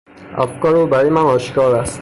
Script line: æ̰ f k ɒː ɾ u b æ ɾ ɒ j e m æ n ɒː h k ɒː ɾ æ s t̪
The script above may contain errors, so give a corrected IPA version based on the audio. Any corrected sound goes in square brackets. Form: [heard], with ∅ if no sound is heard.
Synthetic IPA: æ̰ f k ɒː ɾ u b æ ɾ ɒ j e m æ n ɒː [ʃ] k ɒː ɾ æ s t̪